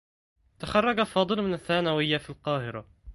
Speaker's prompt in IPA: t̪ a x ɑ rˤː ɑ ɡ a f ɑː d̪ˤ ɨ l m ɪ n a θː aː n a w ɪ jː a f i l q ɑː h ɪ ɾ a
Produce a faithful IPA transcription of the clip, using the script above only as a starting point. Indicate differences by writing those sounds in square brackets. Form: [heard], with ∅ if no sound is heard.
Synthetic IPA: t̪ a x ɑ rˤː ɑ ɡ a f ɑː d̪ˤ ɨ l m ɪ n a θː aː n a w ɪ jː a f i l q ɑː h ɪ ɾ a